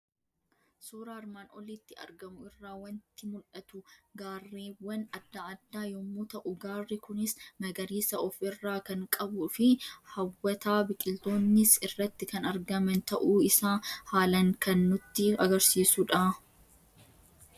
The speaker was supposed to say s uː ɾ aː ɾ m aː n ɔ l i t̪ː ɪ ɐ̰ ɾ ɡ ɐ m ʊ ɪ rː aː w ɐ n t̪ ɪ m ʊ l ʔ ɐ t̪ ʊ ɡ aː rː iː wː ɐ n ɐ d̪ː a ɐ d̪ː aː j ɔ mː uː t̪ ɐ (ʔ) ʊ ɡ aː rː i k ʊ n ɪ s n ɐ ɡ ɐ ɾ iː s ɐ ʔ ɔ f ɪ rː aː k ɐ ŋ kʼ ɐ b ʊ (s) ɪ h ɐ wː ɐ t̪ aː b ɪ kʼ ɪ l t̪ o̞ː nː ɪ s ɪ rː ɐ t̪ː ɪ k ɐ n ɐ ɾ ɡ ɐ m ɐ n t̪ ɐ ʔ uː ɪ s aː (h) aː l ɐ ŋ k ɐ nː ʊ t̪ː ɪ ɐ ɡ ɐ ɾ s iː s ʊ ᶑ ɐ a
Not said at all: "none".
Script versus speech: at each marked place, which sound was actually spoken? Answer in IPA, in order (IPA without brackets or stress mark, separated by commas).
ʔ, f, h